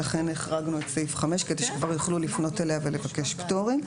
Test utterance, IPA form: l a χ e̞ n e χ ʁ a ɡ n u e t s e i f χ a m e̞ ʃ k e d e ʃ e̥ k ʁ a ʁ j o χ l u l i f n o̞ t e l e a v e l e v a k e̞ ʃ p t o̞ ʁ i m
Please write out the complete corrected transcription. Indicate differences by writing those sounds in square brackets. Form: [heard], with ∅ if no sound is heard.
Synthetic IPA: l a χ e̞ n e χ ʁ a ɡ n u e t s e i f χ a m e̞ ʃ k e d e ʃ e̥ k [v] a ʁ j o χ l u l i f n o̞ t e l e a v e l e v a k e̞ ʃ p t o̞ ʁ i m